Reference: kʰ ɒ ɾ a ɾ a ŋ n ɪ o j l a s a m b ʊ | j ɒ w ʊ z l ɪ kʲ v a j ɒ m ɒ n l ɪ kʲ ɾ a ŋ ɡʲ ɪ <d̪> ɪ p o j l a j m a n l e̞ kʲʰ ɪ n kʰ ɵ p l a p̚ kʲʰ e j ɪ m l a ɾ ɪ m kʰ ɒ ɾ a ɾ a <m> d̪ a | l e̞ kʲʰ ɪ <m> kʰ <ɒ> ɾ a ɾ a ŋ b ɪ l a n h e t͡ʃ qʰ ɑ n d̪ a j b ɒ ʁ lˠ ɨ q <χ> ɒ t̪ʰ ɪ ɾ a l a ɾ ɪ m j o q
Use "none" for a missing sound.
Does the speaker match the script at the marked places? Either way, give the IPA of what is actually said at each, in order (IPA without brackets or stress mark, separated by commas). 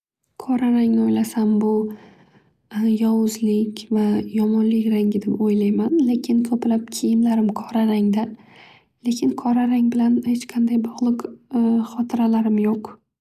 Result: d̪, ŋ, n, ɒ, χ